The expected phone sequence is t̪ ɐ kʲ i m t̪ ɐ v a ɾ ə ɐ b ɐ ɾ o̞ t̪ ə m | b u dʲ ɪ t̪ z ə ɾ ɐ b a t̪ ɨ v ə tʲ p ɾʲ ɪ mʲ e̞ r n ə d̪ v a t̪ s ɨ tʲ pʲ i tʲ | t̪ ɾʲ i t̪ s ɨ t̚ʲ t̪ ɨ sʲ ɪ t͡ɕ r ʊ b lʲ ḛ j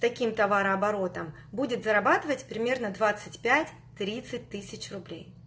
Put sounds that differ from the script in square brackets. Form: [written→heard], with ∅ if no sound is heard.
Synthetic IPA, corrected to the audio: t̪ ɐ kʲ i m t̪ ɐ v a ɾ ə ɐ b ɐ ɾ o̞ t̪ ə m | b u dʲ ɪ t̪ z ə ɾ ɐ b a t̪ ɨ v ə tʲ p ɾʲ ɪ mʲ e̞ r n ə d̪ v a t̪ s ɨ tʲ pʲ [i→æ] tʲ | t̪ ɾʲ i t̪ s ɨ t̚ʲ t̪ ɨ sʲ ɪ t͡ɕ r ʊ b lʲ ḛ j

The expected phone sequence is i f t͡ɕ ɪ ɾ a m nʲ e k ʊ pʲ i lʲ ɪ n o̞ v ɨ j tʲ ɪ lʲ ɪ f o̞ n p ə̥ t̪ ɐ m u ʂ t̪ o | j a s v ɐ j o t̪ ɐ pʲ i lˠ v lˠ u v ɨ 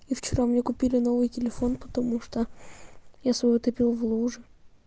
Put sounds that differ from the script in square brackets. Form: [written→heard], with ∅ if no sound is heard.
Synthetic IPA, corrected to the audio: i f t͡ɕ ɪ ɾ a m nʲ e k ʊ pʲ i lʲ ɪ n o̞ v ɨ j tʲ ɪ lʲ ɪ f o̞ n p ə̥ t̪ ɐ m u ʂ t̪ o | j a s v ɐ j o t̪ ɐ pʲ i lˠ v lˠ u [v→ʐ] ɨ

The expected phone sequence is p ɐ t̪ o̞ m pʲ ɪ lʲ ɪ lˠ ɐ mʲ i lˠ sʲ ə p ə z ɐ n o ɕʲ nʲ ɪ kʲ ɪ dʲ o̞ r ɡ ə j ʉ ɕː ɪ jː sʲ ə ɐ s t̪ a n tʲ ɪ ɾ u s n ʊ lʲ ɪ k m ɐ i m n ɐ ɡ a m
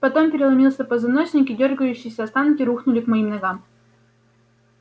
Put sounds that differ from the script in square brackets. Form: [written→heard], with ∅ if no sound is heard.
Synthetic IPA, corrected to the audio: p ɐ t̪ o̞ m pʲ ɪ [lʲ→ɾʲ] ɪ lˠ ɐ mʲ i lˠ sʲ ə p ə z ɐ n o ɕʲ nʲ ɪ kʲ ɪ dʲ o̞ r ɡ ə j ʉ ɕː ɪ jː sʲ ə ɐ s t̪ a n [tʲ→kʲ] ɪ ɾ u [s→x] n ʊ lʲ ɪ k m ɐ i m n ɐ ɡ a m

